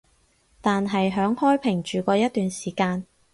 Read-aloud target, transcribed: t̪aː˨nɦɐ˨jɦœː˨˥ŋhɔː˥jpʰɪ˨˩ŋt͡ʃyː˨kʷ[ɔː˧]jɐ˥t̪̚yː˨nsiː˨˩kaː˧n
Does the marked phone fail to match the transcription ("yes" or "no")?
no